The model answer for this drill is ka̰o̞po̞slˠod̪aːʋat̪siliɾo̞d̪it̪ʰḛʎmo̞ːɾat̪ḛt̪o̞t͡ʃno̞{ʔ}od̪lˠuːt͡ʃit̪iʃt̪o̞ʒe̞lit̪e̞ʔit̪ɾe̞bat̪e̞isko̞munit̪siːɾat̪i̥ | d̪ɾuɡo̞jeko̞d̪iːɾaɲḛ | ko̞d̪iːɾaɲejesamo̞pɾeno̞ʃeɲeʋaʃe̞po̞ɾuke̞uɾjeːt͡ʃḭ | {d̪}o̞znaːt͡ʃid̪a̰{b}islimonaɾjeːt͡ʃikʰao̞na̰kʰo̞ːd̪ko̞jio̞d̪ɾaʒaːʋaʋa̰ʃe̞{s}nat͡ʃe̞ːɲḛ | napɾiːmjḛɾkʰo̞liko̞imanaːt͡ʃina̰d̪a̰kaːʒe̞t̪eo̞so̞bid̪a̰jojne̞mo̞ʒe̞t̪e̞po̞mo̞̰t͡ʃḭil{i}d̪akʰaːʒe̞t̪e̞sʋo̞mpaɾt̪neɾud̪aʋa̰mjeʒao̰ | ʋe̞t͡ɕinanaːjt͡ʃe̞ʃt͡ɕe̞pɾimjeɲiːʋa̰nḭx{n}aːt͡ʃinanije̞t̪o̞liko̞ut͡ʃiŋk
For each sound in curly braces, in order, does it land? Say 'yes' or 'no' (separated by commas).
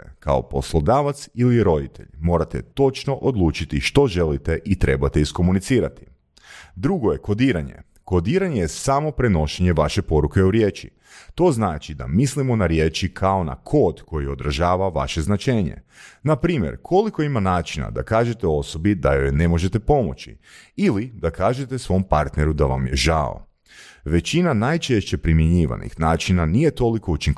yes, no, no, no, yes, yes